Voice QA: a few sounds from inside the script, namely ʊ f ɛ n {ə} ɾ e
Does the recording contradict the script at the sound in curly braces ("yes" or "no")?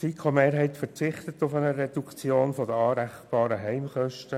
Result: no